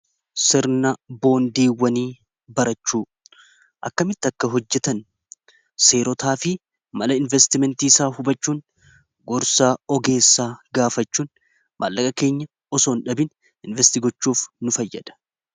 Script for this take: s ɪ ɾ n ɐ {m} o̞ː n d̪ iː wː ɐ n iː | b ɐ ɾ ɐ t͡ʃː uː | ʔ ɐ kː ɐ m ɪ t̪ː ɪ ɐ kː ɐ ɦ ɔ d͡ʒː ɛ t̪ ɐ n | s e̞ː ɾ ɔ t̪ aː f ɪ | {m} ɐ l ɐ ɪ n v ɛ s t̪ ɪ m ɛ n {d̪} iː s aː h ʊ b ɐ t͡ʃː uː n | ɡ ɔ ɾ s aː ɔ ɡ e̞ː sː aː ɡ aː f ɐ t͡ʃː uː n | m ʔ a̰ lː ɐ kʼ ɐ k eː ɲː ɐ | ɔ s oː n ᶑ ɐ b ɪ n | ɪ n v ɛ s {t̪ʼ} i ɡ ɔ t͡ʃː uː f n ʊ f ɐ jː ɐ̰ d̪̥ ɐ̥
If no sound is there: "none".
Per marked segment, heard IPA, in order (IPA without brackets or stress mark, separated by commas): b, m, t̪, t̪